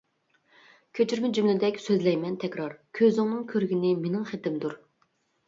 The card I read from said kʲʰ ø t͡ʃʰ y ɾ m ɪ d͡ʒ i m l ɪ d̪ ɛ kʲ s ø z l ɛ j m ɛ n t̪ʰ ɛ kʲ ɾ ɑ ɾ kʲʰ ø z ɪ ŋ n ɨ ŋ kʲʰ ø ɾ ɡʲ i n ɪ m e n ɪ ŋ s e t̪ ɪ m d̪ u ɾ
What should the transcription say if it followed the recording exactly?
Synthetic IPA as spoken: kʲʰ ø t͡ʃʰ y ɾ m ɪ d͡ʒ y m l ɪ d̪ ɛ kʲ s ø z l ɛ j m ɛ n t̪ʰ ɛ kʲ ɾ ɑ ɾ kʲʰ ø z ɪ ŋ n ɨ ŋ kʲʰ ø ɾ ɡʲ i n ɪ m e n ɪ ŋ χ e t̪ ɪ m d̪ u ɾ